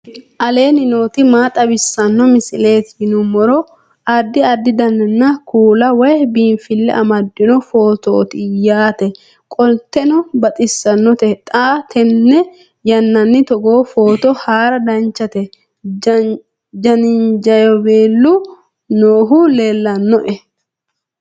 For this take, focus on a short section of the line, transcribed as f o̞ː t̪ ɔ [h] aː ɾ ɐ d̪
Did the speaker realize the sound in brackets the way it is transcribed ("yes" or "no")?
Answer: yes